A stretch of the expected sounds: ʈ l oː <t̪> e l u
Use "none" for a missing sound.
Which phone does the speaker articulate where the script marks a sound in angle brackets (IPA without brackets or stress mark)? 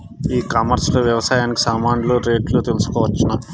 t̪